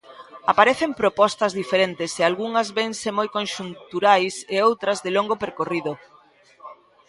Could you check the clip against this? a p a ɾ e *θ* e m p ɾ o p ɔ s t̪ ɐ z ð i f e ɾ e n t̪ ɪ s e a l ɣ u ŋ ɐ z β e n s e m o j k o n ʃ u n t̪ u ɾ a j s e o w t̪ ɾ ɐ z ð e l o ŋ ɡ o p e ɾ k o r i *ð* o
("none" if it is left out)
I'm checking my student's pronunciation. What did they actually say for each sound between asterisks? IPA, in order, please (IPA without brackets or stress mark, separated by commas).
θ, ð